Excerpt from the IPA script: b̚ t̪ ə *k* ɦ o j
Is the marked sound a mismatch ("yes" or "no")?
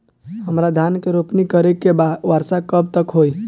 no